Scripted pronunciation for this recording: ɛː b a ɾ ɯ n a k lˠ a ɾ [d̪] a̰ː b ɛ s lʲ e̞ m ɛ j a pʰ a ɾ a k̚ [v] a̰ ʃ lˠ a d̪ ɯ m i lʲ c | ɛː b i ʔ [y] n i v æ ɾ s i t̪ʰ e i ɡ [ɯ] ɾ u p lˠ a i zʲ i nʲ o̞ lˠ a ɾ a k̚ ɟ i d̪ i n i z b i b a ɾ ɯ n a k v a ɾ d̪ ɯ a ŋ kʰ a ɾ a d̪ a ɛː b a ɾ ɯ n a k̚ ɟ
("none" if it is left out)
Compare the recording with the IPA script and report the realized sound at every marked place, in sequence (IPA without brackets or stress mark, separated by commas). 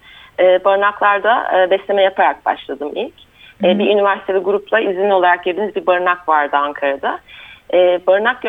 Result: d̪, b, y, u